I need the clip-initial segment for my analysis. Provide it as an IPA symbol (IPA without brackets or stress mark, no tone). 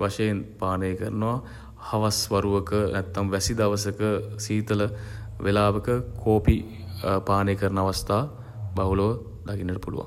ʋ